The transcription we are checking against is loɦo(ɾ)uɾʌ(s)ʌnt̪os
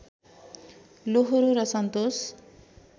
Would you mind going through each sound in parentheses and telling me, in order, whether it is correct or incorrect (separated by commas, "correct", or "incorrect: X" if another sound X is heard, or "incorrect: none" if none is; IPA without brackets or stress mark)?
correct, correct